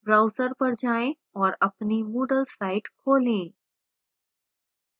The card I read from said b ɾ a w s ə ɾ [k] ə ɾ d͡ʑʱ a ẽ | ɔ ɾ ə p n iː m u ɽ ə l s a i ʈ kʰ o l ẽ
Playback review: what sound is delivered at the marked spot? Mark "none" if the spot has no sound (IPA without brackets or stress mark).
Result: p